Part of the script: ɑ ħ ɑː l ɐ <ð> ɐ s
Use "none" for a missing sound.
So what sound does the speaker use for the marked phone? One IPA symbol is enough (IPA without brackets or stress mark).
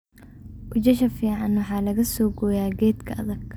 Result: ɣ